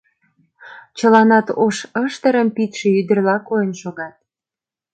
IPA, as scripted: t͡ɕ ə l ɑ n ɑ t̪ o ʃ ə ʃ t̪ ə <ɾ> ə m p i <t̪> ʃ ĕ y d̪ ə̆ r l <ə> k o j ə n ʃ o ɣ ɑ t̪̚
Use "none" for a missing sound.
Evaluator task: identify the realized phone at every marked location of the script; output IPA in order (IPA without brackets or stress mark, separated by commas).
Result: ɾ, t̪, ɑ